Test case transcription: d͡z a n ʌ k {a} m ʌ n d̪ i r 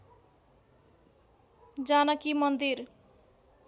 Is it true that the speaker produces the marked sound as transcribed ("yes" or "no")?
no